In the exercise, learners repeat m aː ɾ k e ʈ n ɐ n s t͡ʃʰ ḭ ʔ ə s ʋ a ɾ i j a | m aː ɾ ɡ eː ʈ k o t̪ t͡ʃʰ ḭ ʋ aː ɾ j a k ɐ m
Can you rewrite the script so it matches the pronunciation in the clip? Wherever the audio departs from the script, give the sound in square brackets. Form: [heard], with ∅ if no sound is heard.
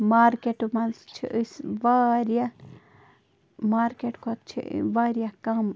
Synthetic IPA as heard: m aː ɾ k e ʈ [m] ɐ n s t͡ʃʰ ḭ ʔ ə s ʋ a ɾ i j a | m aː ɾ [k] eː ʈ k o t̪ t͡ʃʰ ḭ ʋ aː ɾ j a k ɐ m

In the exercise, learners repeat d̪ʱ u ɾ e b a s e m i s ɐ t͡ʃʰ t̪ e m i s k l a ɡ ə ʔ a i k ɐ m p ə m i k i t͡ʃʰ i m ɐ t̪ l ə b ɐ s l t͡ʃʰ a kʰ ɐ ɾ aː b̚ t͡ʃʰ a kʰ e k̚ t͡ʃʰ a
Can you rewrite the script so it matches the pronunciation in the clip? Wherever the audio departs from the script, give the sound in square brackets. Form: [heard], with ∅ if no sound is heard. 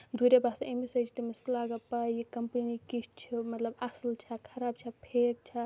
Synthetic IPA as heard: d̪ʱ u ɾ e b a s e m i s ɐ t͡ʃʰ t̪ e m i s k l a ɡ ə [p] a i k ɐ m p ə [n] i k i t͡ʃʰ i m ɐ t̪ l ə b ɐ s l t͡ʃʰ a kʰ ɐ ɾ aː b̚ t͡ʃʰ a [pʰ] e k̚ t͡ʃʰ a

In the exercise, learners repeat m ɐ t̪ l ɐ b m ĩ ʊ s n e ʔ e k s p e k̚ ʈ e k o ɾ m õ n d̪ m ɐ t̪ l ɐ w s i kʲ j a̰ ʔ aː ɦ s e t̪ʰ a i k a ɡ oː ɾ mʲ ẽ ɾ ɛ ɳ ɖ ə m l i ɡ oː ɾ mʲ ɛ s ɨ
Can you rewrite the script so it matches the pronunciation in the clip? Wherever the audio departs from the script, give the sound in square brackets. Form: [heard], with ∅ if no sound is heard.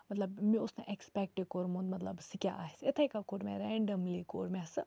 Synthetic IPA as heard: m ɐ t̪ l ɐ b m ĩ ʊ s n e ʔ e k s p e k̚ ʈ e k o ɾ m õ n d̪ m ɐ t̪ l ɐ [b] s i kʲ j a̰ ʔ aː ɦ s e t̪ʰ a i k a [k] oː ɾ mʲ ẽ ɾ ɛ ɳ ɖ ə m l i [k] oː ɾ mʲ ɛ s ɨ

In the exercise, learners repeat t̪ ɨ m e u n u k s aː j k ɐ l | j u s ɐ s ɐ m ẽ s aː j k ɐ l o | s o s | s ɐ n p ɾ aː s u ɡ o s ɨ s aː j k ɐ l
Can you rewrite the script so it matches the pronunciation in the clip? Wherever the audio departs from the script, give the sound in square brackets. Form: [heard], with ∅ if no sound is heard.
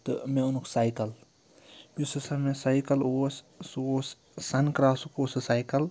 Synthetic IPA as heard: t̪ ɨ m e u n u k s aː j k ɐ l | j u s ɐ s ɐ m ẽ s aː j k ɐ l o | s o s | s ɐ n [k] ɾ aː s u [k] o s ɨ s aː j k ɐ l

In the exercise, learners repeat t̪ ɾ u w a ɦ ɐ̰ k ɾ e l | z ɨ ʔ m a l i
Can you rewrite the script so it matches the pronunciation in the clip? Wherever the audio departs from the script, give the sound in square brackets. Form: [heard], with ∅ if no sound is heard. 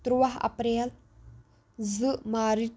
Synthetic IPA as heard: t̪ ɾ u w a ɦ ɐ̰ [p] ɾ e l | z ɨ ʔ m a [ɾ] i

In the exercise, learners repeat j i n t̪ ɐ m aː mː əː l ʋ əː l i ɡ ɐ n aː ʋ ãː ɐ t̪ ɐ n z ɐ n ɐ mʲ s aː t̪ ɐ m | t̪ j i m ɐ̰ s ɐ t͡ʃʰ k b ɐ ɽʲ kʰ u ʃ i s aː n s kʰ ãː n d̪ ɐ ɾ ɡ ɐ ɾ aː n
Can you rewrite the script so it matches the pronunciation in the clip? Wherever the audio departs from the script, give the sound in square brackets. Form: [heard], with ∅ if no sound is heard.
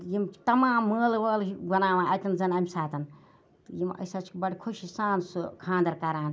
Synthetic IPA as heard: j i [m] t̪ ɐ m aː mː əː l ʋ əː l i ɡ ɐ n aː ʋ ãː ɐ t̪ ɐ n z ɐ n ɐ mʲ s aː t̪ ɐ [n] | t̪ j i m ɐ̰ s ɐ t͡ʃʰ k b ɐ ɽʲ kʰ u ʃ i s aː n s kʰ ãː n d̪ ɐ ɾ [k] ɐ ɾ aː n

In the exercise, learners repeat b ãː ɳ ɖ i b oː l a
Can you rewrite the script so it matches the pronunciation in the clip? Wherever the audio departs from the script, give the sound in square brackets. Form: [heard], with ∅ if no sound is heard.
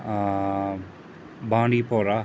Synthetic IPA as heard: b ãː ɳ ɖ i [p] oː [ɾ] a

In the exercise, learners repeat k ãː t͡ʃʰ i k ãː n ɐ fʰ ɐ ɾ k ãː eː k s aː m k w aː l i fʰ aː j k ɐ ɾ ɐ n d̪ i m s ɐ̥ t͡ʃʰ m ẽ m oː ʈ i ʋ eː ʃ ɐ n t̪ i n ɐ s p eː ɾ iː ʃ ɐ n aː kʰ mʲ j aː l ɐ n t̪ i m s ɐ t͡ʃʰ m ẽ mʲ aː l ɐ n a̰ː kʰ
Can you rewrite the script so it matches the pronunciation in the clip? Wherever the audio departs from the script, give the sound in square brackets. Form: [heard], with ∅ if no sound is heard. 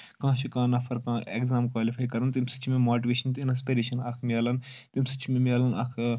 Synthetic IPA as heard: k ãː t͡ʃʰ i k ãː n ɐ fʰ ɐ ɾ k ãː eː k [z] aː m k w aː l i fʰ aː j k ɐ ɾ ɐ n [t̪] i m s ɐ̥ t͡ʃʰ m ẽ m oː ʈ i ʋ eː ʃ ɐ n t̪ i n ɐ s p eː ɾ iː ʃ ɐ n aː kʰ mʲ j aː l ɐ n t̪ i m s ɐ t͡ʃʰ m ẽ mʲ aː l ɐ n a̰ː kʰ

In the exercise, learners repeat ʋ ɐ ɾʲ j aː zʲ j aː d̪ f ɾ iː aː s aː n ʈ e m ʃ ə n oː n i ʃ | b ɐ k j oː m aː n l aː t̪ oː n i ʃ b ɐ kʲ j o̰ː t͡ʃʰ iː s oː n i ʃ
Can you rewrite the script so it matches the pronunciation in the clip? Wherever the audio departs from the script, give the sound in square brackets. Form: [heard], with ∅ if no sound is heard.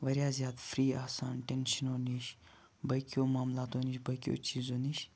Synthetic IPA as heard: ʋ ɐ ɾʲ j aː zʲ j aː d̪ f ɾ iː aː s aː n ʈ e [n] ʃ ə n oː n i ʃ | b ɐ k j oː m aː [m] l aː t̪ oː n i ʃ b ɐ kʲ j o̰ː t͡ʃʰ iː [z] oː n i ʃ

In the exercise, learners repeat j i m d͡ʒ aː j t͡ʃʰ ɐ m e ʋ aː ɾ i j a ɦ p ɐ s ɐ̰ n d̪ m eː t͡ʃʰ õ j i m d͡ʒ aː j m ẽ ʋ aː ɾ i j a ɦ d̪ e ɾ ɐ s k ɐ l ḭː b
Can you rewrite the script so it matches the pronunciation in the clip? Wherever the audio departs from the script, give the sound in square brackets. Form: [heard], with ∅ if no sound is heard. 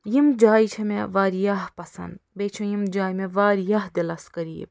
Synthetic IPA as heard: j i m d͡ʒ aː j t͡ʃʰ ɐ m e ʋ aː ɾ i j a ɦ p ɐ s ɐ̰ n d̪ [b] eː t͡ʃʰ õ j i m d͡ʒ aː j m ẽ ʋ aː ɾ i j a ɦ d̪ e [l] ɐ s k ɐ [ɾ] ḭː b

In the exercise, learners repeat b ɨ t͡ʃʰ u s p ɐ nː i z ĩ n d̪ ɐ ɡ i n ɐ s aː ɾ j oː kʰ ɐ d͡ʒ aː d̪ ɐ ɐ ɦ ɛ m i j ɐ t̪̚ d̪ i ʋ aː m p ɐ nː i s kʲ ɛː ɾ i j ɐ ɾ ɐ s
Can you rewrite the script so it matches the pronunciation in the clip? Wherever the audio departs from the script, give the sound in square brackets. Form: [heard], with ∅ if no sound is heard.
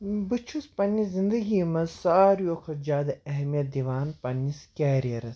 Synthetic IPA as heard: b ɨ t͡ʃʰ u s p ɐ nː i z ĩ n d̪ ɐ ɡ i [m] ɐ s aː ɾ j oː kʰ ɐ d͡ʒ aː d̪ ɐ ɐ ɦ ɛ m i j ɐ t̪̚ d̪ i ʋ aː [n] p ɐ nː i s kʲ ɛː ɾ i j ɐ ɾ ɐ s

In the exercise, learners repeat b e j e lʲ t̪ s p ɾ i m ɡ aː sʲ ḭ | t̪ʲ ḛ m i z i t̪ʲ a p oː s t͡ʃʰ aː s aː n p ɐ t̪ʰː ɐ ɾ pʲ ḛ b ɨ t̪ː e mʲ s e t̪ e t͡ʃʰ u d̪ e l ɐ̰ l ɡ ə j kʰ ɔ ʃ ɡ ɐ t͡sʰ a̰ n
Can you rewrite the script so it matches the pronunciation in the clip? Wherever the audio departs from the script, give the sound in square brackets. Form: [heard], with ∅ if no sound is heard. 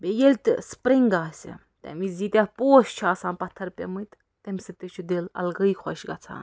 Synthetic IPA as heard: b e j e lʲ t̪ s p ɾ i [ŋ] ɡ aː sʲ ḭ | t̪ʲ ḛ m i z i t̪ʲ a p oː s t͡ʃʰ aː s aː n p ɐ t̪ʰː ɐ ɾ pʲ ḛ [m] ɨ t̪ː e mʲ s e t̪ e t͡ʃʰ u d̪ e l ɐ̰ l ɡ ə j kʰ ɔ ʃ ɡ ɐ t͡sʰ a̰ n

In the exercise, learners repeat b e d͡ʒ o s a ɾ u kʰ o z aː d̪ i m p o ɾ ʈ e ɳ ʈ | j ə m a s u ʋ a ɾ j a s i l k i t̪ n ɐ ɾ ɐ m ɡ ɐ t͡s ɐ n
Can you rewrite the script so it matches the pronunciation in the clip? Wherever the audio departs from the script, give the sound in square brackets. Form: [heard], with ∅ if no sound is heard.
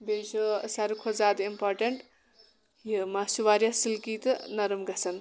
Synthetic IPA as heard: b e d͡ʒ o s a ɾ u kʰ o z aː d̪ i m p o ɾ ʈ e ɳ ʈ | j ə m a s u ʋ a ɾ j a s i l k i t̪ n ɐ ɾ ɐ m ɡ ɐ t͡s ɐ n

